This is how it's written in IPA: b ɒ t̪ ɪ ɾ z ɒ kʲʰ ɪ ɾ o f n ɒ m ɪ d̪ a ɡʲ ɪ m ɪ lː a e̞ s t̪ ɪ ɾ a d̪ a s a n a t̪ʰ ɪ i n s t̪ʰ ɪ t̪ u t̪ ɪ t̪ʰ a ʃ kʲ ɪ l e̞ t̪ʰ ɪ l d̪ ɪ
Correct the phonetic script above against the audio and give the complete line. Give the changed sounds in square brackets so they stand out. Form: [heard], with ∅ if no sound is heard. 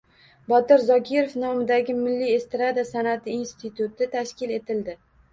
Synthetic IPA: b ɒ t̪ ɪ ɾ z ɒ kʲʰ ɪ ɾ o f n ɒ m ɪ d̪ a ɡʲ ɪ m ɪ lː [i] e̞ s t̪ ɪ ɾ a d̪ a s a n a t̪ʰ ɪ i n s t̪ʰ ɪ t̪ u t̪ ɪ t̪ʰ a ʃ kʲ ɪ l e̞ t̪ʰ ɪ l d̪ ɪ